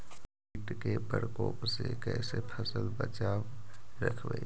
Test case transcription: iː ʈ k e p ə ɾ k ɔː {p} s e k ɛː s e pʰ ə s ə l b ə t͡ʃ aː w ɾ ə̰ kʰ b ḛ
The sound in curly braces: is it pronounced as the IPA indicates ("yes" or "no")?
yes